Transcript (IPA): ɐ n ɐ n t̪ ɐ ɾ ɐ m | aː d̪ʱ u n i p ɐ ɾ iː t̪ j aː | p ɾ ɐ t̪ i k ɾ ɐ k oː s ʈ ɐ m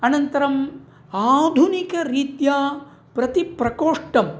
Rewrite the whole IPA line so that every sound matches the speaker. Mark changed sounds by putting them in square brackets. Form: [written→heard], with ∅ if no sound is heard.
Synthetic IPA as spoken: ɐ n ɐ n t̪ ɐ ɾ ɐ m | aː d̪ʱ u n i [p→k] ɐ ɾ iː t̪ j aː | p ɾ ɐ t̪ i [k→p] ɾ ɐ k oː [s→ʂ] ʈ ɐ m